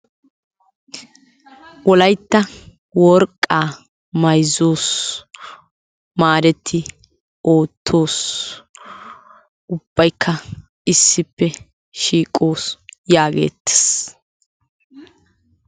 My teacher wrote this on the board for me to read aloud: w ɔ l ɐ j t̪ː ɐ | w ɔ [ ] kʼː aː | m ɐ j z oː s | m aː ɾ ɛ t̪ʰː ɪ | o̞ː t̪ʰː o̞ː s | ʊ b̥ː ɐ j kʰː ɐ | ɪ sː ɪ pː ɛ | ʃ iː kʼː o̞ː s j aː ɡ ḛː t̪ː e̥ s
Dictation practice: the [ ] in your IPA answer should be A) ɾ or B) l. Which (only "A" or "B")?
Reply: A